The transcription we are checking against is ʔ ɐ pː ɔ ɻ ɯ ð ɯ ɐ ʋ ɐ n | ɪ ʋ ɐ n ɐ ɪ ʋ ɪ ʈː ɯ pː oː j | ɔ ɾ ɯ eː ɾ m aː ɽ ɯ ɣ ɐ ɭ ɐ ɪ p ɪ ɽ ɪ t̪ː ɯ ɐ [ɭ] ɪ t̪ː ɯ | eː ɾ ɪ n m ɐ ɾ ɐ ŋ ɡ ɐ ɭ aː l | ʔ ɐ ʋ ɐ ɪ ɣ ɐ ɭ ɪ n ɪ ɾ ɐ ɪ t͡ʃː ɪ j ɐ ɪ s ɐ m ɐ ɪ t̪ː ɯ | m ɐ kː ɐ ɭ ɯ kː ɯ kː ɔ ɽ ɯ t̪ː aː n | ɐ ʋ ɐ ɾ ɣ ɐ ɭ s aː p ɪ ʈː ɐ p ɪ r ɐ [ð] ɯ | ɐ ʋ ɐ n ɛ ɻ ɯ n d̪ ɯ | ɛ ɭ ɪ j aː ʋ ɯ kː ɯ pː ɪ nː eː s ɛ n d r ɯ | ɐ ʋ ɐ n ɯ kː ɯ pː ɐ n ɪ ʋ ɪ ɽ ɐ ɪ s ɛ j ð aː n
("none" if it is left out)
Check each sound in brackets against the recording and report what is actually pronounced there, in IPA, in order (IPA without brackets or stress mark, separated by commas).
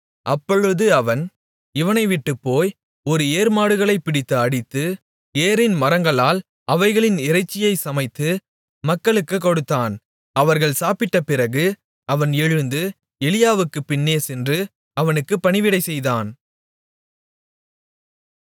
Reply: ɽ, ɣ